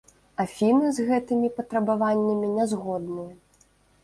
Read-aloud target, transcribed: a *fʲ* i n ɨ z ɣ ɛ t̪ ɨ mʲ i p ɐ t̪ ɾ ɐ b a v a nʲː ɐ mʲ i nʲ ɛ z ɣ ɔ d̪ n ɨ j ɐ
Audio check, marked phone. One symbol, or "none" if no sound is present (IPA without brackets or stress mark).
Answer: fʲ